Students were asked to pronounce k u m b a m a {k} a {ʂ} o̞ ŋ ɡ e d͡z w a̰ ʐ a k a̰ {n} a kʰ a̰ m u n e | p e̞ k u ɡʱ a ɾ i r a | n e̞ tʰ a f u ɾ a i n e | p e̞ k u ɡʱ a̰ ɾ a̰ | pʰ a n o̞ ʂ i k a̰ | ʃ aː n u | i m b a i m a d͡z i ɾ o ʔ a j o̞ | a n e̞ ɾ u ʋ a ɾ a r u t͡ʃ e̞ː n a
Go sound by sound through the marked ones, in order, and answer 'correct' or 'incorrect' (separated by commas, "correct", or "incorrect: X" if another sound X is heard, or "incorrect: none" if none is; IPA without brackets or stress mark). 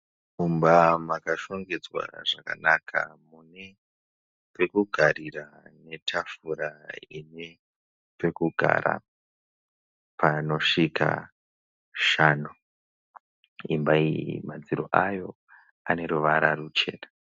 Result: correct, incorrect: ʃ, correct